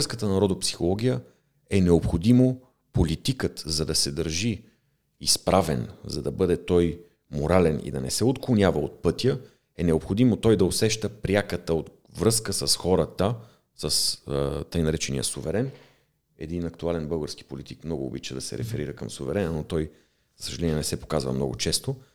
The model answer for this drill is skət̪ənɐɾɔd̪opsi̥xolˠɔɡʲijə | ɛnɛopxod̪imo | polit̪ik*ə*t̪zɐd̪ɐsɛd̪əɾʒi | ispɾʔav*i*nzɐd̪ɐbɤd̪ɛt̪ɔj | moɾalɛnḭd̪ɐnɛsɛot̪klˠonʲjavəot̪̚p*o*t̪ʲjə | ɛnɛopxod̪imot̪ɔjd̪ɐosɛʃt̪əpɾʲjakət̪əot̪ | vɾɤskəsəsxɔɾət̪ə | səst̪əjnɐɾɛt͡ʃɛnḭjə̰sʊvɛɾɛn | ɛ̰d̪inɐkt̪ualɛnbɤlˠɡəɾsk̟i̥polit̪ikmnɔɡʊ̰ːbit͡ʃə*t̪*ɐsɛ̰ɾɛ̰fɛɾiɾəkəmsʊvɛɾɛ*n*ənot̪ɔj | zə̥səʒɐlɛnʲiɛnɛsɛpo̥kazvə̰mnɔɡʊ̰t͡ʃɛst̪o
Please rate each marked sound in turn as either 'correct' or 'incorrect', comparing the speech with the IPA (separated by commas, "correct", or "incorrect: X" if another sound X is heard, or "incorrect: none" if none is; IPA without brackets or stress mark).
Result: correct, incorrect: ɛ, incorrect: ɤ, incorrect: d̪, correct